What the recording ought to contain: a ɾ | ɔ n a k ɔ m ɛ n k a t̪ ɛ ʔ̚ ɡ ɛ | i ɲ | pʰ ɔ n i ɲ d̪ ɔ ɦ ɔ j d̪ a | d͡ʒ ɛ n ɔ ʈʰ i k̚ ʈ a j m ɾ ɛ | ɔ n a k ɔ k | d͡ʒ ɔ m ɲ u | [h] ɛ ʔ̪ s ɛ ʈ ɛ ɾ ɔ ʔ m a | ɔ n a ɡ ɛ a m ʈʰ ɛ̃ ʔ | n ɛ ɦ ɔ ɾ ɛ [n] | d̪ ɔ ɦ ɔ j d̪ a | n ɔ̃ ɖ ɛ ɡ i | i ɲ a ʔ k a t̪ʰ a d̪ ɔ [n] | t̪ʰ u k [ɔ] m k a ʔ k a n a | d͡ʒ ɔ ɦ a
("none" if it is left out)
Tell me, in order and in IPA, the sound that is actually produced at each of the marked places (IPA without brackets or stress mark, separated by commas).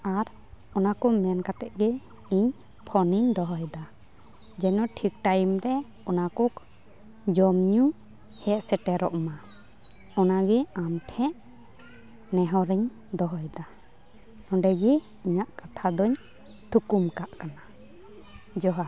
h, ɲ, ɲ, u